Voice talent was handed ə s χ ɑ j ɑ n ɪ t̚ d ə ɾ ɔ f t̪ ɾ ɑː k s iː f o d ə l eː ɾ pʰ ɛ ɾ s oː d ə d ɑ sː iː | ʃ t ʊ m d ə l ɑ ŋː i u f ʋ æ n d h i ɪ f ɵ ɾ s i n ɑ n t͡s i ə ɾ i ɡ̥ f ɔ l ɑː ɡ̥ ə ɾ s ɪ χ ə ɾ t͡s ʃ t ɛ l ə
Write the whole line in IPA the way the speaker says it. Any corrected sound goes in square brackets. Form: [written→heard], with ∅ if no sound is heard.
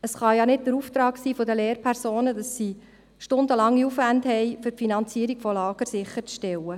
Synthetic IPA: ə s χ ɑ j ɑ n ɪ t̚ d ə ɾ [ɔ→u] f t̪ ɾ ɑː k s iː f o d ə l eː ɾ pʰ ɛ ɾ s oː [d→n] ə d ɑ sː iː | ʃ t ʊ [m→n] d ə l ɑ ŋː i u f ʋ æ n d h [i→ɛ] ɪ f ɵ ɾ [s→f] i n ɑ n t͡s i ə ɾ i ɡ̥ f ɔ l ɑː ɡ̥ ə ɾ s ɪ χ ə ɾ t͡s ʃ t ɛ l ə

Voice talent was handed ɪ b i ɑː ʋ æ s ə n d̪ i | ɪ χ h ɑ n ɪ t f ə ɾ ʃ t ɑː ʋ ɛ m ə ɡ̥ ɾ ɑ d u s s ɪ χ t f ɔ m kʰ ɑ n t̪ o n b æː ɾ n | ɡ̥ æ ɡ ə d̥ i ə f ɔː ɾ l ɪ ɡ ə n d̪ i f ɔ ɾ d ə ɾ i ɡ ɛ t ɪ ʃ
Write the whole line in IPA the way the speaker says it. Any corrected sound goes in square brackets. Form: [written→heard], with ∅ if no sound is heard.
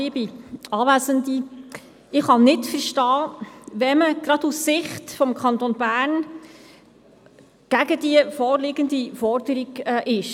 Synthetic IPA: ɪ b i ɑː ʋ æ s ə n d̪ i | ɪ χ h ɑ n ɪ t f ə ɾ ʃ t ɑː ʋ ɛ m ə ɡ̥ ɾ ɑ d u s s ɪ χ t f ɔ m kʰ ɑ n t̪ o n b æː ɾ n | ɡ̥ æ ɡ ə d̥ i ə f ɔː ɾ l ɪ ɡ ə n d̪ i f ɔ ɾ d ə ɾ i ɡ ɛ [t→ʔ] ɪ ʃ

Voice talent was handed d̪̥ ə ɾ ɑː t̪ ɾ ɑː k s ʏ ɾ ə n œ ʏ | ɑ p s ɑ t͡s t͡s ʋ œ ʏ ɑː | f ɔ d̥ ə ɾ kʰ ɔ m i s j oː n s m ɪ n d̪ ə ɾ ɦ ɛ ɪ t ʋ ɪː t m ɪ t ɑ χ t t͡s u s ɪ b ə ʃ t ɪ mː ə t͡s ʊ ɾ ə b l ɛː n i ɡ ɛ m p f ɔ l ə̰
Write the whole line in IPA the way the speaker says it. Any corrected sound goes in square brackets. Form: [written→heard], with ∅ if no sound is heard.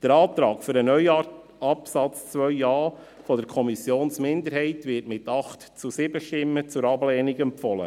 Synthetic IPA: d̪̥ ə ɾ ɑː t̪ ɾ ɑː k [s→f] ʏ ɾ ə n œ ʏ | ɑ p s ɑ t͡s t͡s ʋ œ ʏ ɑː | f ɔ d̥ ə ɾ kʰ ɔ m i s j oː n s m ɪ n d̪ ə ɾ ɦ ɛ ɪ t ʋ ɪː t m ɪ t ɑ χ t t͡s u s ɪ b ə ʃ t ɪ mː ə t͡s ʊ ɾ [ə→ɑ] b l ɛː n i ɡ ɛ m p f ɔ l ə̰

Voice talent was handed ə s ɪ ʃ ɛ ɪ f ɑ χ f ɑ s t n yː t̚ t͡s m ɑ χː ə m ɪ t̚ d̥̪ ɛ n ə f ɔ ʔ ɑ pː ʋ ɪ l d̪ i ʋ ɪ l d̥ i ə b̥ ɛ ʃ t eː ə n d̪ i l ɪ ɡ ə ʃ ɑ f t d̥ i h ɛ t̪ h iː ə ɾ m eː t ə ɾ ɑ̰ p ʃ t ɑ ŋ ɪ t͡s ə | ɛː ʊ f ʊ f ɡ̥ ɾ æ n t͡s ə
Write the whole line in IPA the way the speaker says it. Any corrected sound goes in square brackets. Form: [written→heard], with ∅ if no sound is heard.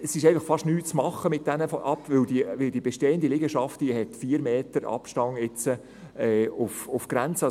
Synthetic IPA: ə s ɪ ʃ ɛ ɪ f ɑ χ f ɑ [s→ʃ] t n yː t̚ t͡s m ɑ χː ə m ɪ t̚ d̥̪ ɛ n ə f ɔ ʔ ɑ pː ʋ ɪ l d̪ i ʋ ɪ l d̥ i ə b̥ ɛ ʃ t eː ə n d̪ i l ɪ ɡ ə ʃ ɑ f t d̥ i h ɛ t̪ [h→f] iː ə ɾ m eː t ə ɾ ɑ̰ p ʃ t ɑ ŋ ɪ t͡s ə | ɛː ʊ f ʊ f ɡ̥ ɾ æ n t͡s ə

